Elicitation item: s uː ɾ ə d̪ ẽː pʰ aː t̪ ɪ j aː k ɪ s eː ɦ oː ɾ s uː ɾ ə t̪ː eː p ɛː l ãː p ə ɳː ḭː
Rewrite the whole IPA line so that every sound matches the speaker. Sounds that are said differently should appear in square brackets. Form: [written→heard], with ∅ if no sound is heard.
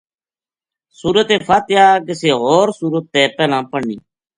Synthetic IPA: s uː ɾ ə [d̪→t̪] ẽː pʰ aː t̪ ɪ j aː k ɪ s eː ɦ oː ɾ s uː ɾ ə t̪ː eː p ɛː l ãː p ə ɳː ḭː